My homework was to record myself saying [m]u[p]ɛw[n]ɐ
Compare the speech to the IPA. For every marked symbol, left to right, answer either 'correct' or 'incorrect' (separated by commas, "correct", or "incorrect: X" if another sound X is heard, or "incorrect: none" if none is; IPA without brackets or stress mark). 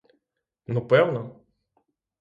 incorrect: n, correct, correct